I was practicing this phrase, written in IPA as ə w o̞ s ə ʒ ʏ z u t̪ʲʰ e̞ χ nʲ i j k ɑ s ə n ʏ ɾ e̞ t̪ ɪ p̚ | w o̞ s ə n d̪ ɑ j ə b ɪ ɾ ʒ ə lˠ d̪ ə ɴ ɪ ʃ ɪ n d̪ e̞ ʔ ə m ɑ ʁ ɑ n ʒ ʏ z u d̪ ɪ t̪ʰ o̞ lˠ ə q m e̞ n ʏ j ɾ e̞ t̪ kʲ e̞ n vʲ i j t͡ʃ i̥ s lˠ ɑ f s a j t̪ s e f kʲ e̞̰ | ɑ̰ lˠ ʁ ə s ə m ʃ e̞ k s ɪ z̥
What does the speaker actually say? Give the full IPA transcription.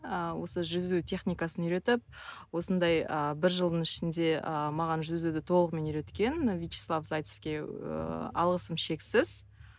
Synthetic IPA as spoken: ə w o̞ s ə ʒ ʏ z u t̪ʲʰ e̞ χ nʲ i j k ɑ s ə n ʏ ɾ e̞ t̪ ɪ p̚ | w o̞ s ə n d̪ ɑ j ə b ɪ ɾ ʒ ə lˠ d̪ ə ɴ ɪ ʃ ɪ n d̪ e̞ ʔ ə m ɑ ʁ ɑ n ʒ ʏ z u d̪ ɪ t̪ʰ o̞ lˠ ə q m e̞ n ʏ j ɾ e̞ t̪ kʲ e̞ n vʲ i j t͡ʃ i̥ s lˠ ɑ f z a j t̪ s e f kʲ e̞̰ | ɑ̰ lˠ ʁ ə s ə m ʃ e̞ k s ɪ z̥